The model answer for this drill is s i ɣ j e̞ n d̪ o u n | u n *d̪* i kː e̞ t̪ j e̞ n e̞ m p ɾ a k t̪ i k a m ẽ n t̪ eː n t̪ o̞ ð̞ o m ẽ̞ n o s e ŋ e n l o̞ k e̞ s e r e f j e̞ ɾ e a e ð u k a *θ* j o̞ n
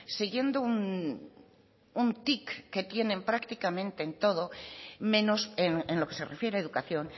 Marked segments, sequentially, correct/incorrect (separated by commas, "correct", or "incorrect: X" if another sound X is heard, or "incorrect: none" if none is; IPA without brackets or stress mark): incorrect: t̪, correct